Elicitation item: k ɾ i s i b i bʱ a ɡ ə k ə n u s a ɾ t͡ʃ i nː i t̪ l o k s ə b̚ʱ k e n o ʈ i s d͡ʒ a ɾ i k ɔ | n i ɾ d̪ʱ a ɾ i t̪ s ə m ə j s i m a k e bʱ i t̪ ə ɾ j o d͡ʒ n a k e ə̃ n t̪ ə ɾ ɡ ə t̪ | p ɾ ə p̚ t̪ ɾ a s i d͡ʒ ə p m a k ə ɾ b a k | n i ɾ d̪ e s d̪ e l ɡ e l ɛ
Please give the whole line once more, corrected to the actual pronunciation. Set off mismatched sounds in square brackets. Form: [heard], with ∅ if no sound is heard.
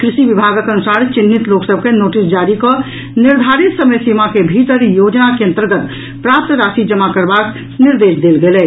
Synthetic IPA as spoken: k ɾ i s i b i bʱ a ɡ ə k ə n u s a ɾ t͡ʃ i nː i t̪ l o k s ə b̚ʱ k e n o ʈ i s d͡ʒ a ɾ i k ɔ | n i ɾ d̪ʱ a ɾ i t̪ s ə m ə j s i m a k e bʱ i t̪ ə ɾ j o d͡ʒ n a k e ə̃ n t̪ ə ɾ ɡ ə t̪ | p ɾ [a] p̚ t̪ ɾ a s i d͡ʒ ə [∅] m a k ə ɾ b a k | n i ɾ d̪ e s d̪ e l ɡ e l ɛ

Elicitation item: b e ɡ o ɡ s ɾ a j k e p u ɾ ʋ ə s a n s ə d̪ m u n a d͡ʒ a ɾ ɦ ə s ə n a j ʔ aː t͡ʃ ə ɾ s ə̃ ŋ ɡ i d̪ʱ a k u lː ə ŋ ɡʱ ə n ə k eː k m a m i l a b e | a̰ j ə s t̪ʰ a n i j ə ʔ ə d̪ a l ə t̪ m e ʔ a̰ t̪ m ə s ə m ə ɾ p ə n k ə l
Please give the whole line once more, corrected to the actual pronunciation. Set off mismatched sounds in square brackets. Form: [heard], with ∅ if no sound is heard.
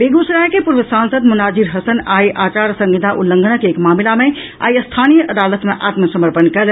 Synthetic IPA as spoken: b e ɡ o [∅] s ɾ a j k e p u ɾ ʋ ə s a n s ə d̪ m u n a d͡ʒ [i] ɾ ɦ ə s ə n a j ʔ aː t͡ʃ [a] ɾ s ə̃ ŋ ɡ i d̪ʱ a [ʔ] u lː ə ŋ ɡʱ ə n ə k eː k m a m i l a [m] e | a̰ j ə s t̪ʰ a n i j ə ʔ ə d̪ a l ə t̪ m e ʔ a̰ t̪ m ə s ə m ə ɾ p ə n k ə l

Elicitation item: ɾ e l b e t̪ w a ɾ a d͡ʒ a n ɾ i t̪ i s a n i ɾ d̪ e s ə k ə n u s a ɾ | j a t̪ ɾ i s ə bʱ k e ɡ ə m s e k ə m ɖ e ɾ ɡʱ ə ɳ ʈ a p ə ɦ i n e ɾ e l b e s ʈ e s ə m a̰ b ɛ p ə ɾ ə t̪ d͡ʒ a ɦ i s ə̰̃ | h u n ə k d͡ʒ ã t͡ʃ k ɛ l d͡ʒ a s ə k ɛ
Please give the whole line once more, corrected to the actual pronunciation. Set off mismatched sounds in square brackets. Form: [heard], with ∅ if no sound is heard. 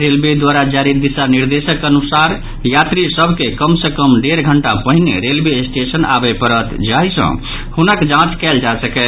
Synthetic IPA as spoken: ɾ e l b e [d̪] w a ɾ a d͡ʒ a [∅] ɾ i [d̪] i s a n i ɾ d̪ e s ə k ə n u s a ɾ | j a t̪ ɾ i s ə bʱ k e [k] ə m s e k ə m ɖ e ɾ ɡʱ ə ɳ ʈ a p ə ɦ i n e ɾ e l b e s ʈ e s ə [n] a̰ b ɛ p ə ɾ ə t̪ d͡ʒ a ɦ i s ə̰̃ | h u n ə k d͡ʒ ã t͡ʃ k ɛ l d͡ʒ a s ə k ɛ

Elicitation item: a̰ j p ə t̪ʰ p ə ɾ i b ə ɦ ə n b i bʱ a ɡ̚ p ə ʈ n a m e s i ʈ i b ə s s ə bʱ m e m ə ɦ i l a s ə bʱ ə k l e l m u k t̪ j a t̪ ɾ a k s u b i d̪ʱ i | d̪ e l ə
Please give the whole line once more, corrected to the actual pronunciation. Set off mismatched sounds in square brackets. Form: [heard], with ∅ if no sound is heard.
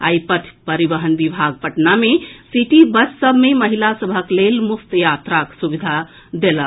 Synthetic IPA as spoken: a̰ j p ə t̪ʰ p ə ɾ i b ə ɦ ə n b i bʱ a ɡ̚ p ə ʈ n a m e s i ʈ i b ə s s ə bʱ m e m ə ɦ i l a s ə bʱ ə k l e l m u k t̪ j a t̪ ɾ a k s u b i d̪ʱ [a] | d̪ e l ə

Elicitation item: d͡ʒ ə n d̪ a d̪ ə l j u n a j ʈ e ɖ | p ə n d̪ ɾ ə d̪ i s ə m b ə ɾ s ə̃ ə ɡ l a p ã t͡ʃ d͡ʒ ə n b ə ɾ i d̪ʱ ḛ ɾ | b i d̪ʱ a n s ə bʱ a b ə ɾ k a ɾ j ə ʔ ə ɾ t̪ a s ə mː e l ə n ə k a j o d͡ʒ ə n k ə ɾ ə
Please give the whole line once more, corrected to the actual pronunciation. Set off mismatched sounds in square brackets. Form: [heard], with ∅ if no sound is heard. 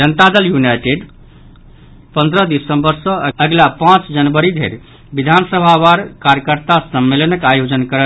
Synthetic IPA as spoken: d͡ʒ ə n [t̪] a d̪ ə l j u n a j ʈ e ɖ | p ə n d̪ ɾ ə d̪ i s ə m b ə ɾ s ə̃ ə ɡ l a p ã t͡ʃ d͡ʒ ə n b ə ɾ i d̪ʱ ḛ ɾ | b i d̪ʱ a n s ə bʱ a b [a] ɾ k a ɾ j ə [k] ə ɾ t̪ a s ə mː e l ə n ə k a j o d͡ʒ ə n k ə ɾ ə

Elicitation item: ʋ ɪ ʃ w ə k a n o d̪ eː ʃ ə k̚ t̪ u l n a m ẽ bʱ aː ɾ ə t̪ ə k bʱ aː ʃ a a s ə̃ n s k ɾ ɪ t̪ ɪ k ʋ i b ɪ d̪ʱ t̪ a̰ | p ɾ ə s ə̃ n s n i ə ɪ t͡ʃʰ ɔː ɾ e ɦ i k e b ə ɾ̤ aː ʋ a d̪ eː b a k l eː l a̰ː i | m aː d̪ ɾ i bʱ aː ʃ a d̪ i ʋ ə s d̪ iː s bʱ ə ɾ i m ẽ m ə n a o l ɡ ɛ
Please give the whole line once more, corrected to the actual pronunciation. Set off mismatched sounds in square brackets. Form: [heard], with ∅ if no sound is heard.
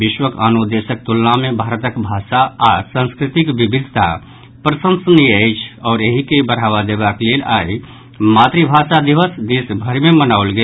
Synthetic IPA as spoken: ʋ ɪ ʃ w ə k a n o d̪ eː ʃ ə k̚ t̪ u l n a m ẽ bʱ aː ɾ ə t̪ ə k bʱ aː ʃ a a s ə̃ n s k ɾ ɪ t̪ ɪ k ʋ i b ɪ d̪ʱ t̪ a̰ | p ɾ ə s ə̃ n s n i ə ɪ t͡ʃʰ ɔː ɾ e ɦ i k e b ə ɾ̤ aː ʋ a d̪ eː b a k l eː l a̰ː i | m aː [t̪] ɾ i bʱ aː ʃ a d̪ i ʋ ə s d̪ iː s bʱ ə ɾ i m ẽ m ə n a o l ɡ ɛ

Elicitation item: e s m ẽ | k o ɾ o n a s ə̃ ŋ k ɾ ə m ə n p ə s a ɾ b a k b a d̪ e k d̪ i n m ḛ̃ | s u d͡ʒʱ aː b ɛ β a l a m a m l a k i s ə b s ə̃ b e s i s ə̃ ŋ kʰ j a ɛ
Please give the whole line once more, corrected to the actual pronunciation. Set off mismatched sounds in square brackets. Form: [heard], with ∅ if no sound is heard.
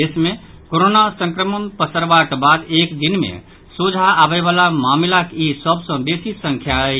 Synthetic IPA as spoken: e s m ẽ | k o ɾ o n a s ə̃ ŋ k ɾ ə m ə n p ə s [ə] ɾ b a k b a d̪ e k d̪ i n m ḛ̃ | s u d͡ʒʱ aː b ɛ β a l a m a m l a k i s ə b s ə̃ b e s i s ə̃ ŋ kʰ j a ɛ

